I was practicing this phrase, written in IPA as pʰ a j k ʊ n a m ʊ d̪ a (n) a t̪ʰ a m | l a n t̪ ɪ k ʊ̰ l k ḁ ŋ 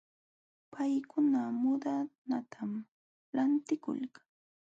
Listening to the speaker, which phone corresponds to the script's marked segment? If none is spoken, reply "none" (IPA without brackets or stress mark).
n